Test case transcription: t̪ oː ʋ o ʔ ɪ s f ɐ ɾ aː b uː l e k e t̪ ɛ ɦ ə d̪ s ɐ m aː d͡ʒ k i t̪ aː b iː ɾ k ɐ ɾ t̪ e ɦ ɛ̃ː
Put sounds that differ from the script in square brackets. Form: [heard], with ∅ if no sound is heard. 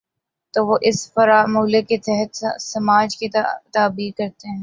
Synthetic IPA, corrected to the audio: t̪ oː ʋ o ʔ ɪ s f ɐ ɾ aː [m] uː l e k e t̪ ɛ ɦ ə [t̪] s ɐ m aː d͡ʒ k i t̪ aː b iː ɾ k ɐ ɾ t̪ e ɦ ɛ̃ː